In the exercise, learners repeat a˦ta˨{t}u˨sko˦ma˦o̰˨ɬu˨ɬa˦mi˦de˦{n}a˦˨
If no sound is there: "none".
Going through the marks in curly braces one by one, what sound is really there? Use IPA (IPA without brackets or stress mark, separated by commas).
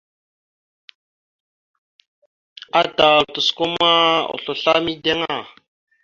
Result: t, ŋ